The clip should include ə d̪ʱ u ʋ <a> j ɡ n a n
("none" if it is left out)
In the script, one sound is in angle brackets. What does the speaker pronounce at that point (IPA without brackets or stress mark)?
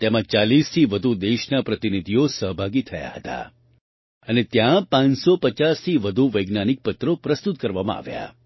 ə